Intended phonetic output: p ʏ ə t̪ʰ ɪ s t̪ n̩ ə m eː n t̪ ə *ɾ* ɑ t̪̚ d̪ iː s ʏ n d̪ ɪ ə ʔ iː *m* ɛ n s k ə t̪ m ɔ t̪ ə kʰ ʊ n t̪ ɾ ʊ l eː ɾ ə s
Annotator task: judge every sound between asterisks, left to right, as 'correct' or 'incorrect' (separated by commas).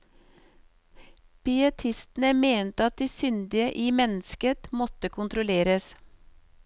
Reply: incorrect, correct